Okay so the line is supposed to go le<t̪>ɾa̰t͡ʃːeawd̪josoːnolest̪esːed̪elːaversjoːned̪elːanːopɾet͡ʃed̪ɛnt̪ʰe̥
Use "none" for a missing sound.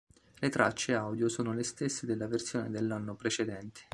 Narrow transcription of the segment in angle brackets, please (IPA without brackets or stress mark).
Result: t̪